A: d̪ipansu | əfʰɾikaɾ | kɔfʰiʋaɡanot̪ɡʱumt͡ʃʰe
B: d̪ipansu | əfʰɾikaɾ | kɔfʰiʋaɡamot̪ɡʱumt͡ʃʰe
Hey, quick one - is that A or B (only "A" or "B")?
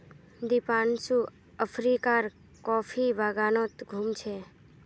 A